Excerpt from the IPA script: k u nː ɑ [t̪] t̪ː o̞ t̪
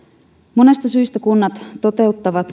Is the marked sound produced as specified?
yes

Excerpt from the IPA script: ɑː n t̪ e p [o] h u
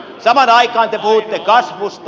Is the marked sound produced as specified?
no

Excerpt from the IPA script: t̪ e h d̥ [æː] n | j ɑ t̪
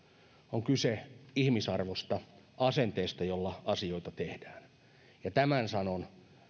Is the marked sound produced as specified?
yes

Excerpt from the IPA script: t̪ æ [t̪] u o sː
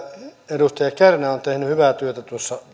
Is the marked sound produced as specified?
yes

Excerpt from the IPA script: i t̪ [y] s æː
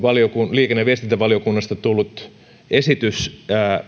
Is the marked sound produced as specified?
yes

